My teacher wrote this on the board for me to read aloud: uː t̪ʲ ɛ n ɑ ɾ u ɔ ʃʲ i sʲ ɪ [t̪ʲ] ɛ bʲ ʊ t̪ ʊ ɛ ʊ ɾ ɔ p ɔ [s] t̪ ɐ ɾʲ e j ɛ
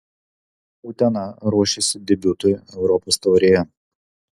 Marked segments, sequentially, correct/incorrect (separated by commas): incorrect, correct